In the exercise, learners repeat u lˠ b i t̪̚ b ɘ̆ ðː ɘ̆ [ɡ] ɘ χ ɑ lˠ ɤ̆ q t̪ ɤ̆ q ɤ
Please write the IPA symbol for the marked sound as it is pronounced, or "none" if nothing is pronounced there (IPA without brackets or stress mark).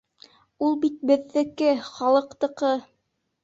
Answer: k